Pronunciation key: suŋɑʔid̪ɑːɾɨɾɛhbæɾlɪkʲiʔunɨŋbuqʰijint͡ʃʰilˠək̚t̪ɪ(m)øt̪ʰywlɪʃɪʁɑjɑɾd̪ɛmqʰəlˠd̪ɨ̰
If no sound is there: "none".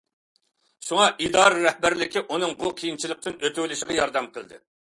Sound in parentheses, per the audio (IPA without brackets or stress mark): n